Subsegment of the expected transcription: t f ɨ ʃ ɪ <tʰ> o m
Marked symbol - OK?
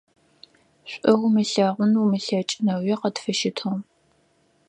yes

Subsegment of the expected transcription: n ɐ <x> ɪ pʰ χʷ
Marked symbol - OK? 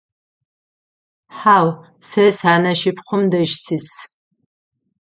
no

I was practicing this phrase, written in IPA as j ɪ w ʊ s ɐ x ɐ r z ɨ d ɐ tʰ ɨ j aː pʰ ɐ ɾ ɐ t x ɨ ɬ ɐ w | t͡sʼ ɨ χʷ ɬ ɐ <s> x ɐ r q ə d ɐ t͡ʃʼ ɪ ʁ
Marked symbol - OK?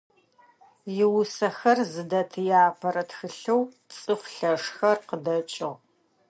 no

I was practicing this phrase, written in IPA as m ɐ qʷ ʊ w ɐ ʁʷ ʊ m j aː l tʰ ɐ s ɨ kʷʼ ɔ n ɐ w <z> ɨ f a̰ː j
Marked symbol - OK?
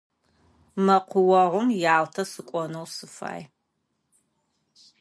no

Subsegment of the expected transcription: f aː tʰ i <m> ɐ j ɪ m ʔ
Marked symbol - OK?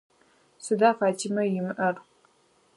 yes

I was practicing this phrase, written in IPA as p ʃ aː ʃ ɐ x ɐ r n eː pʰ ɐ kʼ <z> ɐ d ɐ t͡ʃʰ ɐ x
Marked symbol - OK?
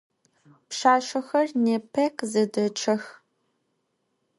yes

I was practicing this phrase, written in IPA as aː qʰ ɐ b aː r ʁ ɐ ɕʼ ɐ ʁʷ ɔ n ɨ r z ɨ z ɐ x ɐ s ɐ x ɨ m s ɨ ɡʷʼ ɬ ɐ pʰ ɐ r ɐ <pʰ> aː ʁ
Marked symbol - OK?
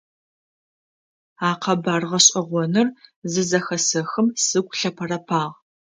yes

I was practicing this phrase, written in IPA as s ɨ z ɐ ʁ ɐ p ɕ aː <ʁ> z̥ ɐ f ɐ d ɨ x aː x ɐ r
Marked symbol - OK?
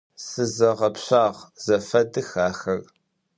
yes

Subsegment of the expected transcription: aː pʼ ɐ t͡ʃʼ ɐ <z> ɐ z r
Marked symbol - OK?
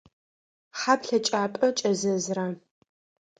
yes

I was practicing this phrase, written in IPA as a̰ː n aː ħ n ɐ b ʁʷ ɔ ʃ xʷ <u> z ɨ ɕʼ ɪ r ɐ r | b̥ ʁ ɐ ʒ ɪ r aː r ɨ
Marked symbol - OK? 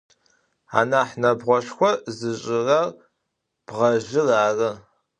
no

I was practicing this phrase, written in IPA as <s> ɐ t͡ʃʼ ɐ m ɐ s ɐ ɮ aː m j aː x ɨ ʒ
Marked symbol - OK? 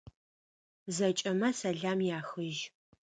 no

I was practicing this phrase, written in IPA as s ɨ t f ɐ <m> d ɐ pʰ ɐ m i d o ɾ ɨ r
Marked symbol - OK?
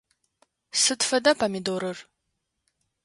no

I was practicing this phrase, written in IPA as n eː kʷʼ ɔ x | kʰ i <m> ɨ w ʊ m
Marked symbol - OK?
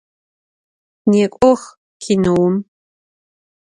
no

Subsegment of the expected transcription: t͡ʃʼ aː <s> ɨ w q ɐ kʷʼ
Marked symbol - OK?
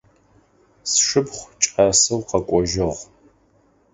yes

